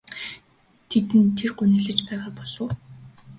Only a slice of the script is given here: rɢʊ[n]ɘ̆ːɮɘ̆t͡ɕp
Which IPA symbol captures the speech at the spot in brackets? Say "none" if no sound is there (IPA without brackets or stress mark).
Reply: n